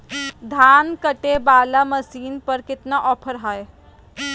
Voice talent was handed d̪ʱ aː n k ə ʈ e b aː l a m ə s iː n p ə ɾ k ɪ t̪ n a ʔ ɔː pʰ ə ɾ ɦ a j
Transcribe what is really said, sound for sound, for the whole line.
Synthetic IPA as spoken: d̪ʱ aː n k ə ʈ e b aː l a m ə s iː n p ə ɾ k ɪ t̪ n a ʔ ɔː pʰ ə ɾ ɦ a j